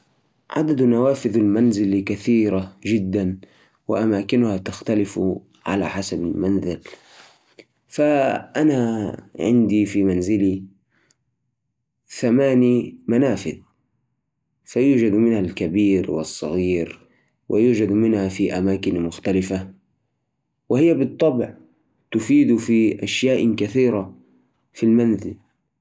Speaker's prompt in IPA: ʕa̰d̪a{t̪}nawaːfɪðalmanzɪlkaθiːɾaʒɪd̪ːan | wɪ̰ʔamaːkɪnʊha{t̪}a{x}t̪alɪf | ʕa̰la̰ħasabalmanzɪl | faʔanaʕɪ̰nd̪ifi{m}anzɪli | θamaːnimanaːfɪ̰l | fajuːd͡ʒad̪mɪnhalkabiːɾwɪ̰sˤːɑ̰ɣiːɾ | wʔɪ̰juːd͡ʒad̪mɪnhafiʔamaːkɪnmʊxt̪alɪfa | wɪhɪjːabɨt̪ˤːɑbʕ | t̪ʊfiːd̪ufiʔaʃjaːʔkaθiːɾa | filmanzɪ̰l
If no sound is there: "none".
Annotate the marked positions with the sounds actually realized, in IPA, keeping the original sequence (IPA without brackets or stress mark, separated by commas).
d̪, t̪, x, m